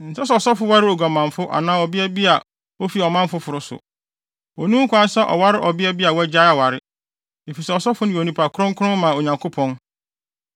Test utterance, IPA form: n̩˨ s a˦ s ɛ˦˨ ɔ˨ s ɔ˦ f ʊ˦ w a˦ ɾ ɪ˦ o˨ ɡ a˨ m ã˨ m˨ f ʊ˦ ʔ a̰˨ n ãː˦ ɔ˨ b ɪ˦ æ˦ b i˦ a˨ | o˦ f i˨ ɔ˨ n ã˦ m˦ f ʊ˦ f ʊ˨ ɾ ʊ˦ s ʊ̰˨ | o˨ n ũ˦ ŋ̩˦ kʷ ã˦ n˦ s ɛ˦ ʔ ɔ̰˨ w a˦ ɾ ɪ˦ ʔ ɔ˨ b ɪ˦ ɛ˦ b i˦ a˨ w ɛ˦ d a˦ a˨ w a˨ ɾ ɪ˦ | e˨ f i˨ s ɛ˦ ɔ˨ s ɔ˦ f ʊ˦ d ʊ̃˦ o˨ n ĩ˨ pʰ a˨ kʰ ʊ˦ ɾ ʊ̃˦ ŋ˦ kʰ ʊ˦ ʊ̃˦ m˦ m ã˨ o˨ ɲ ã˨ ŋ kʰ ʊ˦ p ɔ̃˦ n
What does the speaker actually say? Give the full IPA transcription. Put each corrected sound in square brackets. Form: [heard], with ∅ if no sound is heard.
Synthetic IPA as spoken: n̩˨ s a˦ s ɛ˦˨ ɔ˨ s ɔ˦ f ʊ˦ w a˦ ɾ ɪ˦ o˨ ɡ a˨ m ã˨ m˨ f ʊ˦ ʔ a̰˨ n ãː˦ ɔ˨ b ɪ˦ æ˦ b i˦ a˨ | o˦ f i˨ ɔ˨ [m] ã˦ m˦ f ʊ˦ f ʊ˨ ɾ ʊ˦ s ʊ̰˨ | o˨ n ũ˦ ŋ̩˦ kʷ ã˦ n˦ s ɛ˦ ʔ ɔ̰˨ w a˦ ɾ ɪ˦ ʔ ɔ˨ b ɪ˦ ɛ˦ b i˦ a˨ w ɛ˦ [d͡ʑ] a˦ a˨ w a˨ ɾ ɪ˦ | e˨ f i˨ s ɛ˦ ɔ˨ s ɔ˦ f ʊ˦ [n] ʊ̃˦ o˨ n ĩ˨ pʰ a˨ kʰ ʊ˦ ɾ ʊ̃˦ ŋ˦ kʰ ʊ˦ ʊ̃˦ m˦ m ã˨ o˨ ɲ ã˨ ŋ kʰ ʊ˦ [pʰ] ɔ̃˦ n